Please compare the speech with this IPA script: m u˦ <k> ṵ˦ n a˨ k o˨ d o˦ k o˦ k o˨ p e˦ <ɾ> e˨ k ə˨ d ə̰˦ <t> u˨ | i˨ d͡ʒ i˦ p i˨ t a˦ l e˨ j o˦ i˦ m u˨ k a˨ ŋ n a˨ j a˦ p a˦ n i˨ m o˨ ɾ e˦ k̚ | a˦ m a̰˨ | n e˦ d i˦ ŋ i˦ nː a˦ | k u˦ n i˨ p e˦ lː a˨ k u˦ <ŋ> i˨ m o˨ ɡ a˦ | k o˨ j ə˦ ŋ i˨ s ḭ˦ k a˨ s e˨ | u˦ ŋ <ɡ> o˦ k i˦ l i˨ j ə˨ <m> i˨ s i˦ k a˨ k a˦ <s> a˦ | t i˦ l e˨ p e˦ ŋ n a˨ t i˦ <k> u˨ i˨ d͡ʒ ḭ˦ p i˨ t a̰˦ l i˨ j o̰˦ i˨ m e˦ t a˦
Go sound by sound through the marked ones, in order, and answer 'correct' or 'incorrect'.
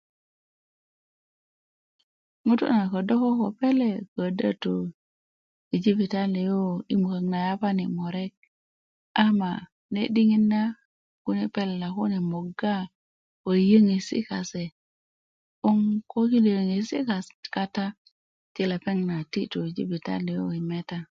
incorrect: t, incorrect: l, correct, incorrect: n, incorrect: k, incorrect: ŋ, incorrect: t, incorrect: t

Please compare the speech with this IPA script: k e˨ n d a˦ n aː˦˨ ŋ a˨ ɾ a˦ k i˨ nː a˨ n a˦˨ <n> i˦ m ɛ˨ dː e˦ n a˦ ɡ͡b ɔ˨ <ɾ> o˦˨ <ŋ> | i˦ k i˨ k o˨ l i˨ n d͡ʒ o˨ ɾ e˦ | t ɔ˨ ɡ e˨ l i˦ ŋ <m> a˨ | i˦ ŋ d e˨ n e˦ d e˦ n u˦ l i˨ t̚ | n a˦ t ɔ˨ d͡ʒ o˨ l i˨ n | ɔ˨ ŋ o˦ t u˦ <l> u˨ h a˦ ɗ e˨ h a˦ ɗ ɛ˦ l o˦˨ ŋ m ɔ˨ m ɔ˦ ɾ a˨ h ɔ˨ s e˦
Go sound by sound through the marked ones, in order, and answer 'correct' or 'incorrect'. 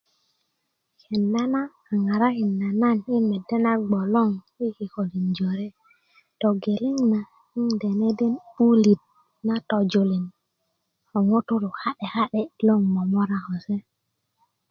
correct, incorrect: l, correct, incorrect: n, incorrect: ɾ

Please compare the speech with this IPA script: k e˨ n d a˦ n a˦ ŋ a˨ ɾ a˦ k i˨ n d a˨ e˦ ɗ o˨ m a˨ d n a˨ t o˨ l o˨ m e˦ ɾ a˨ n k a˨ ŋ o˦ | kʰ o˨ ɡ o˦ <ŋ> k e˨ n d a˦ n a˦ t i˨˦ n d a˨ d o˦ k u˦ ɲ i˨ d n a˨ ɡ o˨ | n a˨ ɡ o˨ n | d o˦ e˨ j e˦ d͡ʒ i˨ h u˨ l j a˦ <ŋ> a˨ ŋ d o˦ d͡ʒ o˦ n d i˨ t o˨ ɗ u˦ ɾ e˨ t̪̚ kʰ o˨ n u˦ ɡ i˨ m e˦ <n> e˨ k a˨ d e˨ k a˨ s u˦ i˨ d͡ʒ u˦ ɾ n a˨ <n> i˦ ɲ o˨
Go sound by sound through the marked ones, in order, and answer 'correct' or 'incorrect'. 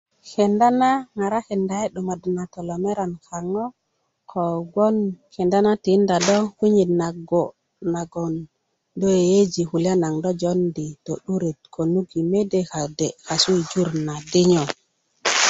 incorrect: n, incorrect: n, incorrect: d, incorrect: d

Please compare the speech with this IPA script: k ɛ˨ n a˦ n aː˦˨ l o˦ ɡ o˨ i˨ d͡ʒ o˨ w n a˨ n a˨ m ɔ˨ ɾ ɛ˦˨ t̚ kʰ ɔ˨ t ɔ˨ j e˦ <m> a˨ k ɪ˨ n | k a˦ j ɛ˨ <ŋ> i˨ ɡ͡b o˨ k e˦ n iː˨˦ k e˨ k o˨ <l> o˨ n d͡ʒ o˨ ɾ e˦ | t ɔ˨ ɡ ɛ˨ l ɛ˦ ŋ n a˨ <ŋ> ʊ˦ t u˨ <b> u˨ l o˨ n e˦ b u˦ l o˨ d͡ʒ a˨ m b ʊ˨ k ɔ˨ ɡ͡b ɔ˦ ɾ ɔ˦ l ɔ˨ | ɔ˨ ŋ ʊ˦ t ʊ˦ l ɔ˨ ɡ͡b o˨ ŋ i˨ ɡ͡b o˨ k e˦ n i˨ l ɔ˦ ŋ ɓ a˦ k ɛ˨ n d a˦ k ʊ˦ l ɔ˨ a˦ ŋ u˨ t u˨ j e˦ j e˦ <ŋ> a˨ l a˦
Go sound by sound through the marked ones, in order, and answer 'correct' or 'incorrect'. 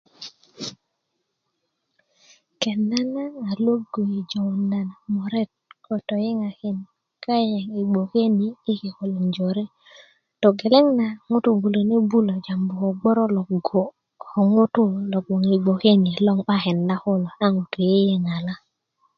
incorrect: ŋ, correct, correct, correct, correct, correct

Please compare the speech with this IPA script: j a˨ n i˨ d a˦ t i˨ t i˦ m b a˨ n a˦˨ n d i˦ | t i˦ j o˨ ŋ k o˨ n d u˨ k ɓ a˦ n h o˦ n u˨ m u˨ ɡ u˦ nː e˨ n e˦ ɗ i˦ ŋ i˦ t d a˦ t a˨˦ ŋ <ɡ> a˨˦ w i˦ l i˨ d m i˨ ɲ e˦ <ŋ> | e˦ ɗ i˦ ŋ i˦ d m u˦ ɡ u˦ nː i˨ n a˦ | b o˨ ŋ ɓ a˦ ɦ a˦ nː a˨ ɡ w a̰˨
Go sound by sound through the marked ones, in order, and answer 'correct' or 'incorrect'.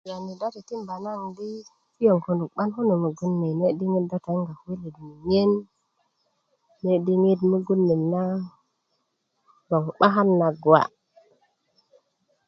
correct, incorrect: n

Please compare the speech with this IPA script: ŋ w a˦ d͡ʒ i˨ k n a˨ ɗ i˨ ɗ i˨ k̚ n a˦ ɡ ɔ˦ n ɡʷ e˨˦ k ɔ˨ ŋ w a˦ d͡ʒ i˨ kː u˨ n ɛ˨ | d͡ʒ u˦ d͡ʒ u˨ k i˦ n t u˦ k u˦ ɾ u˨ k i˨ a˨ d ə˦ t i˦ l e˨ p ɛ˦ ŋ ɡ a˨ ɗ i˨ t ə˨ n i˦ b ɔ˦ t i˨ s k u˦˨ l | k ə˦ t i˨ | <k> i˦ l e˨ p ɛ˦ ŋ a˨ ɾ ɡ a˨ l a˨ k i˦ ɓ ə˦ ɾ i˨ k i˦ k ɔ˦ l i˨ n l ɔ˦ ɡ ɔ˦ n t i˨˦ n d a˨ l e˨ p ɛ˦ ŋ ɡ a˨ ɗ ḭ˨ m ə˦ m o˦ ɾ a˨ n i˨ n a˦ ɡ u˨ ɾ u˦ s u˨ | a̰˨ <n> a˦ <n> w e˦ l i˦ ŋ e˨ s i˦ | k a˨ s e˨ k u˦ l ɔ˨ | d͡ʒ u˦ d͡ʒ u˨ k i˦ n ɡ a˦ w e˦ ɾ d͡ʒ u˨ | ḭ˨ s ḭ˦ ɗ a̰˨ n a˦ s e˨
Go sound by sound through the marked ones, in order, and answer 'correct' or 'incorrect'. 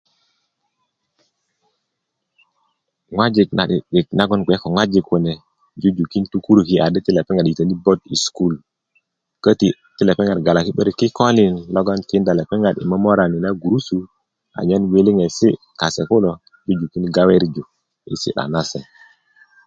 incorrect: t, incorrect: ɲ, correct

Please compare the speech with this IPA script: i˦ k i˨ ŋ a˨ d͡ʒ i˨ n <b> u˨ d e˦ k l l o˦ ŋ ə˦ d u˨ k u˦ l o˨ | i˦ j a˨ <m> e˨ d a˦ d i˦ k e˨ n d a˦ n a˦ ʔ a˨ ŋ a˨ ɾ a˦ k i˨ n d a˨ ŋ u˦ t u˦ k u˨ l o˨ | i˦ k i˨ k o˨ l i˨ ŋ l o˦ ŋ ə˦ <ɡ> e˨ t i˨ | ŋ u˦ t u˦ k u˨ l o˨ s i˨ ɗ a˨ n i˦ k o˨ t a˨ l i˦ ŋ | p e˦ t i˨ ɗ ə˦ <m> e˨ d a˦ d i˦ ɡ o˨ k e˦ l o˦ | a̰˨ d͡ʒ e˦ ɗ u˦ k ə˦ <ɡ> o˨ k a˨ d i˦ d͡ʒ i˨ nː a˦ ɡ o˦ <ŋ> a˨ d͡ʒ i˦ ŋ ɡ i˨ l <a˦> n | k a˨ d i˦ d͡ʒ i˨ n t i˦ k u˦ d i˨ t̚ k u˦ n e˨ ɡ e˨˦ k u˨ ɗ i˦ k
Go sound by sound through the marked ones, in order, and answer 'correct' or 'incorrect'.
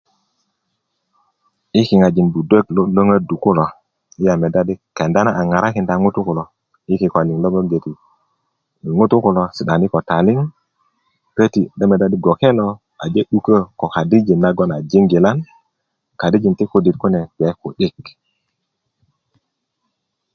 correct, correct, correct, correct, incorrect: k, incorrect: n, correct

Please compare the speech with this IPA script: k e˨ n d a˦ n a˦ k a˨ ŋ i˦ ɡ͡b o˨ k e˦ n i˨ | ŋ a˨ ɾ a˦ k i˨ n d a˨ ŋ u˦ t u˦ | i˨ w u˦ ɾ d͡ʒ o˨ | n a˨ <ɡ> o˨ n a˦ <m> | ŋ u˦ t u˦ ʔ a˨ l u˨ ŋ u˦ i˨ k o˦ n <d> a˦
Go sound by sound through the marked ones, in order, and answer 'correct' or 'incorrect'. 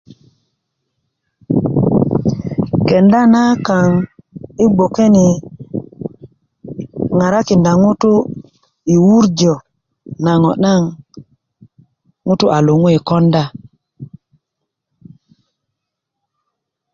incorrect: ŋ, incorrect: ŋ, correct

